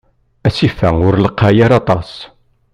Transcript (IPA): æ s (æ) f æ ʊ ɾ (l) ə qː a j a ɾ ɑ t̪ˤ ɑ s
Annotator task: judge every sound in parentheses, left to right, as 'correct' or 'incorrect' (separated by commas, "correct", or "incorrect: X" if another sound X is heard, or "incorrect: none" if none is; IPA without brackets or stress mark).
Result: incorrect: i, correct